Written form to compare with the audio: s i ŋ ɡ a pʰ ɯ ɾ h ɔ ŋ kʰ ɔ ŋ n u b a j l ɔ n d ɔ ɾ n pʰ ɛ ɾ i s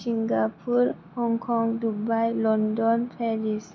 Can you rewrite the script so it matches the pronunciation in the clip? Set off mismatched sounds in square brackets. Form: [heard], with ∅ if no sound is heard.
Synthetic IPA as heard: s i ŋ ɡ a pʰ [u] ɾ h ɔ ŋ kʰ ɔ ŋ [d] u b a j l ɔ n d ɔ [∅] n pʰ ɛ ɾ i s